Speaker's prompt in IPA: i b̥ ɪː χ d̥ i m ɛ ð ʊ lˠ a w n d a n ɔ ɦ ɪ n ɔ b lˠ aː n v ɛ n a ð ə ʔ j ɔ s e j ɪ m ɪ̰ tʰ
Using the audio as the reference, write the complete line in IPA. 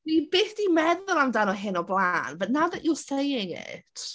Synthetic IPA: i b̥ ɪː θ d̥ i m ɛ ð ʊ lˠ a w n d a n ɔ ɦ ɪ n ɔ b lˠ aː n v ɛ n a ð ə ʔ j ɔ s e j ɪ ŋ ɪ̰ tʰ